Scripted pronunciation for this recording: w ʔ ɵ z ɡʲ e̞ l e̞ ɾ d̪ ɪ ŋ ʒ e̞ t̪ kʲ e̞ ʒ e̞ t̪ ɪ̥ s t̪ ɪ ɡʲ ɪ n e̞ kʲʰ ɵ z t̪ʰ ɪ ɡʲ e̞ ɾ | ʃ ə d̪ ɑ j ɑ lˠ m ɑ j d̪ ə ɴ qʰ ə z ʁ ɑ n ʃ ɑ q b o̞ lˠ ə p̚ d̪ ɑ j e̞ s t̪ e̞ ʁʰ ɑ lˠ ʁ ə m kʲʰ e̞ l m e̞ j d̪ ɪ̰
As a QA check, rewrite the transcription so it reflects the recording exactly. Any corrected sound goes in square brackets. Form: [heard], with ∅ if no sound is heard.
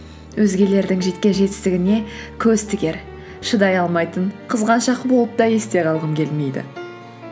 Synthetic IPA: w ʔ ɵ z ɡʲ e̞ l e̞ ɾ d̪ ɪ ŋ ʒ e̞ t̪ kʲ e̞ ʒ e̞ t̪ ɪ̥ s t̪ ɪ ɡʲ ɪ n e̞ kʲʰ ɵ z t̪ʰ ɪ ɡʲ e̞ ɾ | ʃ ə d̪ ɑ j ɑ lˠ m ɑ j [t̪] ə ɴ qʰ ə z ʁ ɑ n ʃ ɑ q b o̞ lˠ ə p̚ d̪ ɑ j e̞ s t̪ e̞ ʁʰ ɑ lˠ ʁ ə m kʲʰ e̞ l m e̞ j d̪ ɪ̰